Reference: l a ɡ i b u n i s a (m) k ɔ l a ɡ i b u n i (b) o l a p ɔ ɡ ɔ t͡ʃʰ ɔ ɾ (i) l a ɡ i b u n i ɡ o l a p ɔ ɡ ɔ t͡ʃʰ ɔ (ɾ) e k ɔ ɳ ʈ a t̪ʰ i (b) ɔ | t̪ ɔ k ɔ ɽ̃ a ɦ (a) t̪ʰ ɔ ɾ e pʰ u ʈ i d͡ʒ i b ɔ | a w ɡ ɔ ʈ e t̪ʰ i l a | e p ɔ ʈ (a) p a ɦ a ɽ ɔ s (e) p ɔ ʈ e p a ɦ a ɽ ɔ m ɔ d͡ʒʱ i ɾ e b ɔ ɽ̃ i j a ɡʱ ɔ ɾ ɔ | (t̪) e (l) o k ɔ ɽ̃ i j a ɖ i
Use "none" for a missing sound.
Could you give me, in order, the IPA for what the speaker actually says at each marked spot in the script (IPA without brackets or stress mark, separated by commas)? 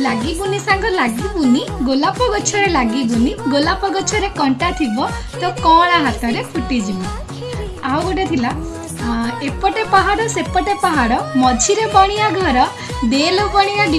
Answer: ŋ, ɡ, e, ɾ, b, a, e, e, d̪, l